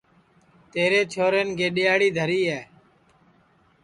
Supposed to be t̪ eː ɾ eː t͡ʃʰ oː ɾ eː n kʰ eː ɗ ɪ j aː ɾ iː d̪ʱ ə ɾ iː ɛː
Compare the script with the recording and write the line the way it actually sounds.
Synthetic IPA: t̪ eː ɾ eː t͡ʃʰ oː ɾ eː n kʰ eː ɗ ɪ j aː ɽ iː d̪ʱ ə ɾ iː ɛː